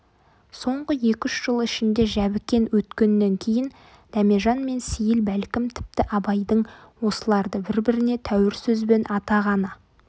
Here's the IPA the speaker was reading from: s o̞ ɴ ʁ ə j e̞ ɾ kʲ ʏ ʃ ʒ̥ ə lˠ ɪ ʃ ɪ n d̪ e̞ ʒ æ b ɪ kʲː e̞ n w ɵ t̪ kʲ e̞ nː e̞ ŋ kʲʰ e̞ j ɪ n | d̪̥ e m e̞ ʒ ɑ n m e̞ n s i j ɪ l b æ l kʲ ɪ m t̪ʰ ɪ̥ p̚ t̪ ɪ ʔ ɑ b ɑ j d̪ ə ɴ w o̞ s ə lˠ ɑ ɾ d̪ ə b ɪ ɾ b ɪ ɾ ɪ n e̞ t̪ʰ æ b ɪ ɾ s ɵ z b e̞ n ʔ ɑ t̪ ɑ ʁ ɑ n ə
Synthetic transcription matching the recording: s o̞ ɴ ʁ ə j e̞ kʲ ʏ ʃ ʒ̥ ə lˠ ɪ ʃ ɪ n d̪ e̞ ʒ æ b ɪ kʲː e̞ n w ɵ t̪ kʲ e̞ nː e̞ ŋ kʲʰ e̞ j ɪ n | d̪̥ æ m e̞ ʒ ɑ n m e̞ n s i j ɪ l b æ l kʲ ɪ m t̪ʰ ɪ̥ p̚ t̪ ɪ ʔ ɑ b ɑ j d̪ ə ɴ w o̞ s ə lˠ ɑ ɾ d̪ ə b ɪ ɾ b ɪ ɾ ɪ n e̞ t̪ʰ æ w ɪ ɾ s ɵ z b e̞ n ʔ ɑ t̪ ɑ ʁ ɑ n ə